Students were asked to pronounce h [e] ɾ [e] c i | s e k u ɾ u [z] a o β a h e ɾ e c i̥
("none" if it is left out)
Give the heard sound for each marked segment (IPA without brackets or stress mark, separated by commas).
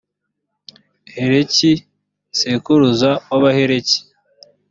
e, e, z